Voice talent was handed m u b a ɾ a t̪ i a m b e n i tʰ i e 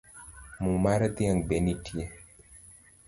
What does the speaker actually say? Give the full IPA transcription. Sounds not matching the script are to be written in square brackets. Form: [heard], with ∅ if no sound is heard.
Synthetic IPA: m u [m] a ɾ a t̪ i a [ŋ] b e n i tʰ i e